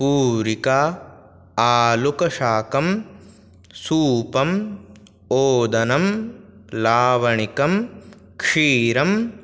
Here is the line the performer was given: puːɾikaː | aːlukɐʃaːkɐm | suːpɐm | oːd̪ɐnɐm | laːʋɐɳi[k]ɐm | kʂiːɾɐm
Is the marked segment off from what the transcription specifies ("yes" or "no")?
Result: no